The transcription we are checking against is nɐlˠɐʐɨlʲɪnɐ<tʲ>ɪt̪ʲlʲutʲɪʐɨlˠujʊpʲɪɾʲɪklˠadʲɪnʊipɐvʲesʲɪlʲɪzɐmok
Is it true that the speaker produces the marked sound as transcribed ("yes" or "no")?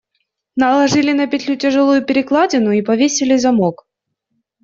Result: no